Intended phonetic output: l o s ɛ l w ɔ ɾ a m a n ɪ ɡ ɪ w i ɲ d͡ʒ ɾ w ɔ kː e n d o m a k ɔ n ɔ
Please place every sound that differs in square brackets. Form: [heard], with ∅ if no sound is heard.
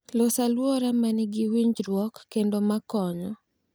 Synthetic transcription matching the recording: l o s [a] l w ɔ ɾ a m a n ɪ ɡ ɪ w i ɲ d͡ʒ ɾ w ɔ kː e n d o m a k ɔ [ɲ] ɔ